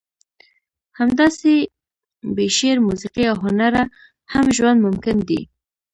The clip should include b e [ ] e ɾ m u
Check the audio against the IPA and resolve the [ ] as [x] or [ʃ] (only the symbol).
ʃ